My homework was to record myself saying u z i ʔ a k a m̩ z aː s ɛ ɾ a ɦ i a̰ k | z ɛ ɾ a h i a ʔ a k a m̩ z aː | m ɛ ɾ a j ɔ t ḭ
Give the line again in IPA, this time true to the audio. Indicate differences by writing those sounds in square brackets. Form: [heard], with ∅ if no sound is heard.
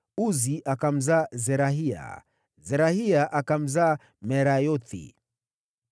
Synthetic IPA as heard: u z i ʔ a k a m̩ z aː [z] ɛ ɾ a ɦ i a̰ [∅] | z ɛ ɾ a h i a ʔ a k a m̩ z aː | m ɛ ɾ a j ɔ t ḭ

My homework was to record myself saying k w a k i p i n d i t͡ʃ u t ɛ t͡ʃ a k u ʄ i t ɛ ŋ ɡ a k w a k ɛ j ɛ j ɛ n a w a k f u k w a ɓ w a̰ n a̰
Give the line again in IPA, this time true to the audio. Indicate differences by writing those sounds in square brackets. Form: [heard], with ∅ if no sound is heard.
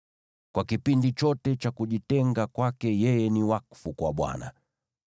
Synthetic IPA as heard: k w a k i p i n d i t͡ʃ [ɔ] t ɛ t͡ʃ a k u ʄ i t ɛ ŋ ɡ a k w a k ɛ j ɛ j ɛ n [i] w a k f u k w a ɓ w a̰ n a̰

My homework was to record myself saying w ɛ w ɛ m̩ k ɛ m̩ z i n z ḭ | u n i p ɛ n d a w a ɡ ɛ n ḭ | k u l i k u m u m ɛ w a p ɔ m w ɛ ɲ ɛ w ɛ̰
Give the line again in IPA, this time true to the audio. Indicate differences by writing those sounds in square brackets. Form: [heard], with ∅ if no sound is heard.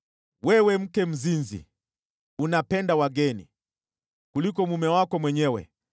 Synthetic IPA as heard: w ɛ w ɛ m̩ k ɛ m̩ z i n z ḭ | u n [a] p ɛ n d a w a ɡ ɛ n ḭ | k u l i k [ɔ] m u m ɛ w a [k] ɔ m w ɛ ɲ ɛ w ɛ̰

